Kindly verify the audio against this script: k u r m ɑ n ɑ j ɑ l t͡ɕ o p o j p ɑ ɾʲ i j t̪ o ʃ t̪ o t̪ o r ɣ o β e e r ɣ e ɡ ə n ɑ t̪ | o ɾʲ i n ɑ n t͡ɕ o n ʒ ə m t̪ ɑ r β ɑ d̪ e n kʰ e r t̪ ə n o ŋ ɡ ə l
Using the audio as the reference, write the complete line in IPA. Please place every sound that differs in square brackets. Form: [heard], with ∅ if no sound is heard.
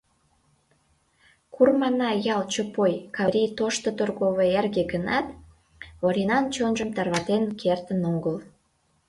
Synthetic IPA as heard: k u r m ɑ n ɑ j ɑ l t͡ɕ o p o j [k] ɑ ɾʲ i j t̪ o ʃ t̪ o t̪ o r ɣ o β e e r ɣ e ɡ ə n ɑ t̪ | o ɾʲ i n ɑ n t͡ɕ o n ʒ ə m t̪ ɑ r β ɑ [t̪] e n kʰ e r t̪ ə n o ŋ ɡ ə l